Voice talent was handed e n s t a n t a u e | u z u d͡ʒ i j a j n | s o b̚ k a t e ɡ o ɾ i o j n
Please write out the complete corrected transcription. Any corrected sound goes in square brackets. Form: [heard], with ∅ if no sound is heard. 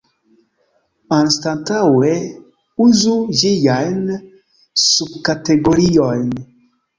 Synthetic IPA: [a] n s t a n t a [w] e | u z u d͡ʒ i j a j n | s [u] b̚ k a t e ɡ o ɾ i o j n